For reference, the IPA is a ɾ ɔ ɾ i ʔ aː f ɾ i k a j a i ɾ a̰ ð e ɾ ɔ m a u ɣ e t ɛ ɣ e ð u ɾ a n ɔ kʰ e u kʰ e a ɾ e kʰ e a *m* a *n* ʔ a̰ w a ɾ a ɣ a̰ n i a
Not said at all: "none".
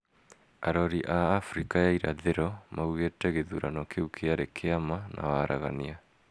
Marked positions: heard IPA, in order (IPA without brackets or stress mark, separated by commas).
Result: m, n